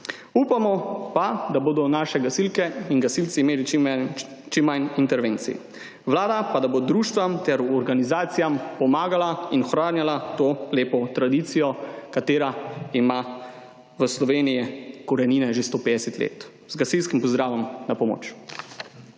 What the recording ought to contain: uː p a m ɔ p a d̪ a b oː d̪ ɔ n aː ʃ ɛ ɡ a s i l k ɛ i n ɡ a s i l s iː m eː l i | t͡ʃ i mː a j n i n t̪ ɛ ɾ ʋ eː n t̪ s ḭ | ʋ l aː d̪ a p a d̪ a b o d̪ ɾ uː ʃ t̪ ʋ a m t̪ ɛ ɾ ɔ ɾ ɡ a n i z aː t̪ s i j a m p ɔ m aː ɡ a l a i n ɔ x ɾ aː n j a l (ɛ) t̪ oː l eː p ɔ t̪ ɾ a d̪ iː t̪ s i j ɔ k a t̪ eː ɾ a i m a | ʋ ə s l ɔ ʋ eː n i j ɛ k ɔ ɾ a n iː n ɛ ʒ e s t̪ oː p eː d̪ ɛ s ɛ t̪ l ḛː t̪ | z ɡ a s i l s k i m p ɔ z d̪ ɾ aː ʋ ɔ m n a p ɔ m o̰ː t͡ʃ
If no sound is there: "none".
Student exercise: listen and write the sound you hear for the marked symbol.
a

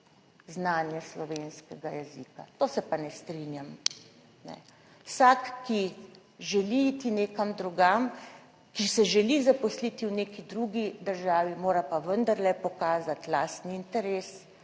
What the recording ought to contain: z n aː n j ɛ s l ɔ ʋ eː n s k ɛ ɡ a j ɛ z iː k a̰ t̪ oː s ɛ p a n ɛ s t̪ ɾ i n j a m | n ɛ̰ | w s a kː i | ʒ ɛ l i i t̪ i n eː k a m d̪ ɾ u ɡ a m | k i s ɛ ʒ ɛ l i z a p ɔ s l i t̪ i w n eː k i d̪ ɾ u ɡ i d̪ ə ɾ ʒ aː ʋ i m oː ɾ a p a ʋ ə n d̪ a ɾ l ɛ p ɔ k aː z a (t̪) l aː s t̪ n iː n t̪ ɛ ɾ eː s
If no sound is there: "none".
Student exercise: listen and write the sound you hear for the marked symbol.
t̪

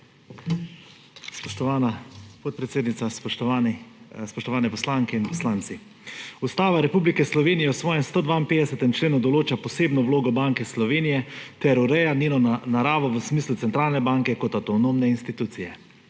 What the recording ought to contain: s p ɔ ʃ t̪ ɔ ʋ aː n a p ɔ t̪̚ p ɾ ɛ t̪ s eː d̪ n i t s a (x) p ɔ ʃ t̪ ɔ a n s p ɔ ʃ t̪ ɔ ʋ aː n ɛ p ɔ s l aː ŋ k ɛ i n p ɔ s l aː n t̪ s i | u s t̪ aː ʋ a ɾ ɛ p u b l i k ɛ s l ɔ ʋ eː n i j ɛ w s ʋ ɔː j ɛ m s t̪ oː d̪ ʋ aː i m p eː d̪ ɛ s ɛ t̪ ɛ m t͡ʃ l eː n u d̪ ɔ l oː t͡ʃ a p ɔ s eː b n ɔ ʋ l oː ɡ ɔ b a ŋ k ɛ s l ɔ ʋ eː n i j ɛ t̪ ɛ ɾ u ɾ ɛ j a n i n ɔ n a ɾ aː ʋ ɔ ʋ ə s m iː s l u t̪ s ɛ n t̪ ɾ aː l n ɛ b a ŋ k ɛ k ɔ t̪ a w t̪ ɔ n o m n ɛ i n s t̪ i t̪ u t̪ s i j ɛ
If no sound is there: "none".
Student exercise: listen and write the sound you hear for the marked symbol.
s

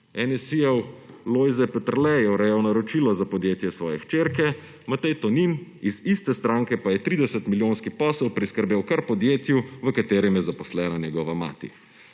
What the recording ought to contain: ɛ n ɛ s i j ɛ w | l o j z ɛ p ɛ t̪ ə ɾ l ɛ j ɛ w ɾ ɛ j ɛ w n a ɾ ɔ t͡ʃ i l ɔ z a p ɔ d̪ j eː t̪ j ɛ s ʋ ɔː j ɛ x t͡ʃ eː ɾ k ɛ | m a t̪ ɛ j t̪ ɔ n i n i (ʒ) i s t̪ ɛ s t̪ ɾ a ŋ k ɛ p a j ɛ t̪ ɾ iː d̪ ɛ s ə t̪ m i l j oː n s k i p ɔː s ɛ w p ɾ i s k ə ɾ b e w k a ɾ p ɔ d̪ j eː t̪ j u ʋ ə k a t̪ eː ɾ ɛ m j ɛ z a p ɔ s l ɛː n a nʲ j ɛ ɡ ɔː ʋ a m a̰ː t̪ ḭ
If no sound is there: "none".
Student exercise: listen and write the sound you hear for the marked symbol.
z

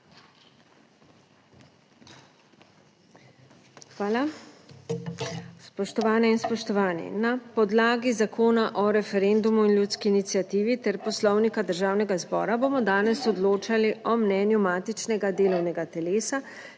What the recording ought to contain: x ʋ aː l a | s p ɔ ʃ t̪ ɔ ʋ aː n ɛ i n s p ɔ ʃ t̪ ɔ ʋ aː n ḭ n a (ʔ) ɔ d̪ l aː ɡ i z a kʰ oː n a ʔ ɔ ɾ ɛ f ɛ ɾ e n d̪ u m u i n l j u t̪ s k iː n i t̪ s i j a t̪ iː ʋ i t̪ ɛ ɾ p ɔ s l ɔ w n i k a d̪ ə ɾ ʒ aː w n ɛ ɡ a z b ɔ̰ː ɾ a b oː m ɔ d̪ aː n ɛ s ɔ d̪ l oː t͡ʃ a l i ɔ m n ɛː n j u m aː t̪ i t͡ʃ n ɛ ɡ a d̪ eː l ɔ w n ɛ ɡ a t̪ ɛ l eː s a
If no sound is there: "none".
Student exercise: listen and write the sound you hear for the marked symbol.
p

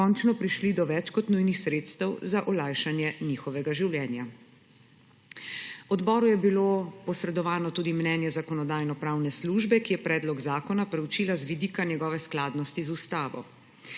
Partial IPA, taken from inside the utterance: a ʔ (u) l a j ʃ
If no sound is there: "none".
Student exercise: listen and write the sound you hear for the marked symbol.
ɔ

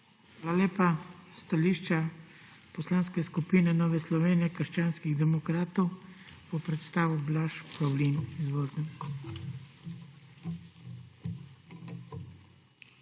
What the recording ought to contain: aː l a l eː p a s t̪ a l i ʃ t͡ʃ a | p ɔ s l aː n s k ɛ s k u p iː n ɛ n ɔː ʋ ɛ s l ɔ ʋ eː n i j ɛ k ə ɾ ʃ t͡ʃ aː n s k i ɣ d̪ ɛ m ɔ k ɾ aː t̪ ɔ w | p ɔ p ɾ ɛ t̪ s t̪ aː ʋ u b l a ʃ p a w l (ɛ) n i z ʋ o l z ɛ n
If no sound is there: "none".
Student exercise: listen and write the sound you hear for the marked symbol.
i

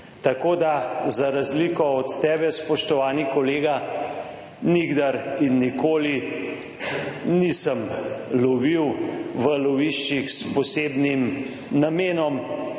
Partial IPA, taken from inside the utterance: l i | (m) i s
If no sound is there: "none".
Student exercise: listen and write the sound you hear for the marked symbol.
n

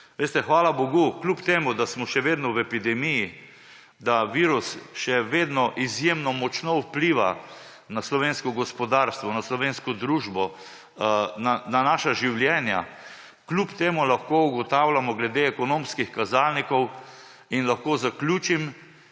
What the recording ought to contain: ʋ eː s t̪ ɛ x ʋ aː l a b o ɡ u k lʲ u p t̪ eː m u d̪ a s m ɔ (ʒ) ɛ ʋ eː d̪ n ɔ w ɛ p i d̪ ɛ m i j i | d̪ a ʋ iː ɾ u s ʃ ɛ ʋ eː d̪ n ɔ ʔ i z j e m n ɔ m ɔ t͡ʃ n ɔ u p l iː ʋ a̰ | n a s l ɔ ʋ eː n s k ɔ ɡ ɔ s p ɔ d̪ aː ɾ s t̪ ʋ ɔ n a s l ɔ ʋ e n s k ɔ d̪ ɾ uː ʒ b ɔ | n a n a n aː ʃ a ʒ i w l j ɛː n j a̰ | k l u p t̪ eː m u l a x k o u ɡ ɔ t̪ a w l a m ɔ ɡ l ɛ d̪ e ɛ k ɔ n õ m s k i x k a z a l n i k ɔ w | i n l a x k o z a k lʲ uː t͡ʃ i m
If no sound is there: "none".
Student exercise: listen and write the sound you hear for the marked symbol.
ʃ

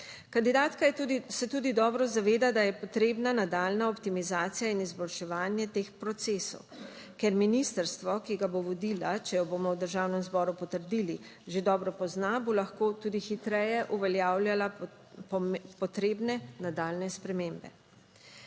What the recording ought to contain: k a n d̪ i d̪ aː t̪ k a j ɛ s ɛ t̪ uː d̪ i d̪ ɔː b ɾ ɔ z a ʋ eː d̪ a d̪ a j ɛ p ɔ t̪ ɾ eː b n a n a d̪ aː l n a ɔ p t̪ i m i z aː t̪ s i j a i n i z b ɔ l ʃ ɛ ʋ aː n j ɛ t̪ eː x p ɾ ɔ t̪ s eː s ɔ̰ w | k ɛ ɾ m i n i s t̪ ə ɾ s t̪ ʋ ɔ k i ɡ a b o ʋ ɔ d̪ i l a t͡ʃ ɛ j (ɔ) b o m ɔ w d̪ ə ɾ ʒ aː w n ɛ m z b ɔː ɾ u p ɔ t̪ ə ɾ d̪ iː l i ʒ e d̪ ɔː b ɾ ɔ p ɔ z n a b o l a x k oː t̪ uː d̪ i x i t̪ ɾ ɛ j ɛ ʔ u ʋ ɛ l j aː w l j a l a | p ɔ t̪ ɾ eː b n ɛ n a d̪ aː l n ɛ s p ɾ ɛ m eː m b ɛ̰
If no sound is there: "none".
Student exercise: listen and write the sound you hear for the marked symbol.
ɔ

